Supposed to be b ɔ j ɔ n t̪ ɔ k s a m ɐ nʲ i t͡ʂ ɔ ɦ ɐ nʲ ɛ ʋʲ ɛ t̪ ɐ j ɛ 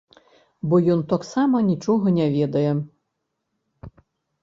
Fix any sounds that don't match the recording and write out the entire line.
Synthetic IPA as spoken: b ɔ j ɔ n t̪ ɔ k s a m ɐ nʲ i t͡ʂ ɔ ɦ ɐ nʲ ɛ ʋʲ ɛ d̪ ɐ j ɛ